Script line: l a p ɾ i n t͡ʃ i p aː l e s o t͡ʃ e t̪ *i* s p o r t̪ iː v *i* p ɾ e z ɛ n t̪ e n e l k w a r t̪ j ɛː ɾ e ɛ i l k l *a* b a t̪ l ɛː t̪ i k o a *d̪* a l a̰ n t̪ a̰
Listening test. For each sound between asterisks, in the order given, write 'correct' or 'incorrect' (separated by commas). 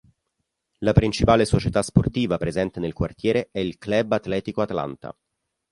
incorrect, incorrect, incorrect, incorrect